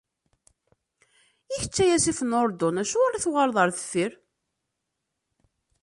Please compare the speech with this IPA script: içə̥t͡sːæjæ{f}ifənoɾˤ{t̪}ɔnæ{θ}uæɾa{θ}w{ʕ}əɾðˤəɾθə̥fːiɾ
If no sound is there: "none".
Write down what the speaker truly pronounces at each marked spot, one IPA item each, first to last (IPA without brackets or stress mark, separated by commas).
s, d̪, ʃ, θ, ʁ